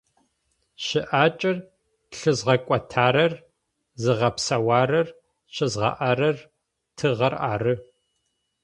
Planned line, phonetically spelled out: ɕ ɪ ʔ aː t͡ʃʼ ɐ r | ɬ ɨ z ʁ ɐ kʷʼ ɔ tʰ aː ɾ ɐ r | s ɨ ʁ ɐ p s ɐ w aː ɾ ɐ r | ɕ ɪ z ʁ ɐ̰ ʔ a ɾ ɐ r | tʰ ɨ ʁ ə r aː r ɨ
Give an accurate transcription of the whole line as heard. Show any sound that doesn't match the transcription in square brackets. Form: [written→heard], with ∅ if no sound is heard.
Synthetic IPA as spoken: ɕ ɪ ʔ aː t͡ʃʼ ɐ r | ɬ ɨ z ʁ ɐ kʷʼ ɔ tʰ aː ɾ ɐ r | [s→z] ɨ ʁ ɐ p s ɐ w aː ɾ ɐ r | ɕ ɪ z ʁ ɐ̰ ʔ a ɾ ɐ r | tʰ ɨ ʁ [ə→ɐ] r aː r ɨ